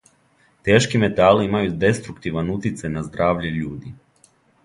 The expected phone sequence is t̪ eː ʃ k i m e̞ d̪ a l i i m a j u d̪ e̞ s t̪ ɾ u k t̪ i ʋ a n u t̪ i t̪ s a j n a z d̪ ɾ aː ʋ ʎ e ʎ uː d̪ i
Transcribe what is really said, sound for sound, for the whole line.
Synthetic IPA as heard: t̪ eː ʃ k i m e̞ t̪ a l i i m a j u d̪ e̞ s t̪ ɾ u k t̪ i ʋ a n u t̪ i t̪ s a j n a z d̪ ɾ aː ʋ ʎ e ʎ uː d̪ i